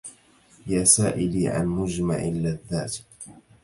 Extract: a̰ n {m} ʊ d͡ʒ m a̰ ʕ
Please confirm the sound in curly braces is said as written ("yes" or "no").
yes